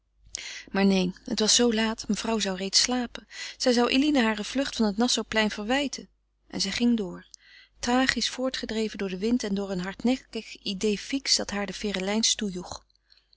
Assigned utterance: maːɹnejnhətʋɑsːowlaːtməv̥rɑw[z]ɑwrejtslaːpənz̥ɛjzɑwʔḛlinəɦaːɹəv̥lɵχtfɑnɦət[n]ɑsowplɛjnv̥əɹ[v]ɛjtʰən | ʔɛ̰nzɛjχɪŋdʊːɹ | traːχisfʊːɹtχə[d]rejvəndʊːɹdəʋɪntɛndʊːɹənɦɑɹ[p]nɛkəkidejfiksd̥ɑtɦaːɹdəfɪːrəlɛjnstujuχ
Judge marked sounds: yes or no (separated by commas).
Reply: yes, yes, no, yes, no